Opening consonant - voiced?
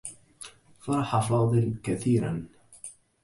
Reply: no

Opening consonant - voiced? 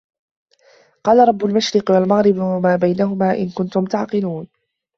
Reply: no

